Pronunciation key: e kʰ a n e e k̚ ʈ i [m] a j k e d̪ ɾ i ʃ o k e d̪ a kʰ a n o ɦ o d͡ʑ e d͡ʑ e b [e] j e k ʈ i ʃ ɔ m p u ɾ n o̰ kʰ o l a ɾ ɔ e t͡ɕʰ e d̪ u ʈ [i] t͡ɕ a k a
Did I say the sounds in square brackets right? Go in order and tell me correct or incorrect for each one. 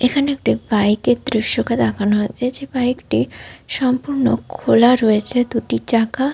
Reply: incorrect, incorrect, correct

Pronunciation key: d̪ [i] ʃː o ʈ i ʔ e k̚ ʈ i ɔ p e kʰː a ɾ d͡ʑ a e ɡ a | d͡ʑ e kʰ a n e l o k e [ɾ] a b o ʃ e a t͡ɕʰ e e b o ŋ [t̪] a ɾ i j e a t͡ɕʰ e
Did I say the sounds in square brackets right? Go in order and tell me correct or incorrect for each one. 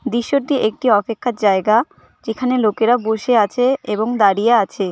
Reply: correct, correct, incorrect

